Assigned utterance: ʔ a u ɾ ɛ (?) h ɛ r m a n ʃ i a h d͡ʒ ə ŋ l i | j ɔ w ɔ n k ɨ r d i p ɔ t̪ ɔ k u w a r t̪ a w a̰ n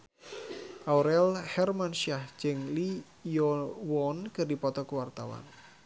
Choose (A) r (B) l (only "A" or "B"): B